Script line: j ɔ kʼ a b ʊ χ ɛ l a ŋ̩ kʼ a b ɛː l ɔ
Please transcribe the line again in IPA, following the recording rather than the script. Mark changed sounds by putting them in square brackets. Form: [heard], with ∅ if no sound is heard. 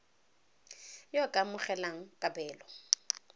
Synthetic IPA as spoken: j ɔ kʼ a [m] ʊ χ ɛ l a ŋ̩ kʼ a b ɛː l ɔ